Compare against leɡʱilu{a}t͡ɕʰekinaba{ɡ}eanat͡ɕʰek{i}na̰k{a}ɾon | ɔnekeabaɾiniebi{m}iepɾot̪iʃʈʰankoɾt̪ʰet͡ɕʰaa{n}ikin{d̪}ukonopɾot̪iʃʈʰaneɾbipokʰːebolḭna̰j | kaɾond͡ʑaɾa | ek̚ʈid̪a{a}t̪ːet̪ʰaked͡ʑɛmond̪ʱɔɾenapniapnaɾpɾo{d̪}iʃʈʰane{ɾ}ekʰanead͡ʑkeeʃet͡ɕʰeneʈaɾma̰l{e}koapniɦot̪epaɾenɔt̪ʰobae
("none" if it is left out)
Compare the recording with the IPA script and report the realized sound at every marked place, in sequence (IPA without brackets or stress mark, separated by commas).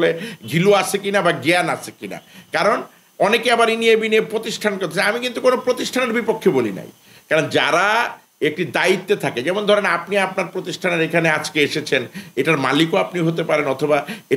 a, ɡ, i, a, n, m, t̪, i, t̪, ɾ, i